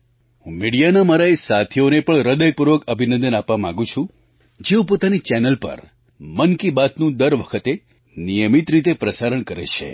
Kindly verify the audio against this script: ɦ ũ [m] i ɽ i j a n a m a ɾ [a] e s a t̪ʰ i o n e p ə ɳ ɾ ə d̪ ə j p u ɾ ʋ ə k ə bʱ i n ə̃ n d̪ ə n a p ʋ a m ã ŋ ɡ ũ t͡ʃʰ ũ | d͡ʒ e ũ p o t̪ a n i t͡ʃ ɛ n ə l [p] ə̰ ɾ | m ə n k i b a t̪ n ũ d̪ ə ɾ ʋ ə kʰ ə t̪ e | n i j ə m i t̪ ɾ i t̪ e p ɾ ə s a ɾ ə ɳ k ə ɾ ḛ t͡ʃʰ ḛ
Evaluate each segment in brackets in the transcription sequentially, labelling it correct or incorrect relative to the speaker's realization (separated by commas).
correct, correct, correct